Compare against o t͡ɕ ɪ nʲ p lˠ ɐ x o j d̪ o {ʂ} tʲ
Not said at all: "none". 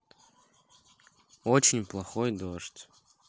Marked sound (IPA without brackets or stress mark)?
ʂ